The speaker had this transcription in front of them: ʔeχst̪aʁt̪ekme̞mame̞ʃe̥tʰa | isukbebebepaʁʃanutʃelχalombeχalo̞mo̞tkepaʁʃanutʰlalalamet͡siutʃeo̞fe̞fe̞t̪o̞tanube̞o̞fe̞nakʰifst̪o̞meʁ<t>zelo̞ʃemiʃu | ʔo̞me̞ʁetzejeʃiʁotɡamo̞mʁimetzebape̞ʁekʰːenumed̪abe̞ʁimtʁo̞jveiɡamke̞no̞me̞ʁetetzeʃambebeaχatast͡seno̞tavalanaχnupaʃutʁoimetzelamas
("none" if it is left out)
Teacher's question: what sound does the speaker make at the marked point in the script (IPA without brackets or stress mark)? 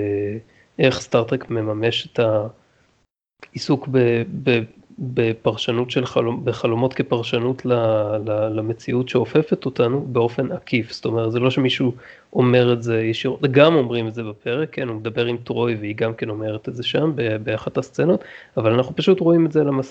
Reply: t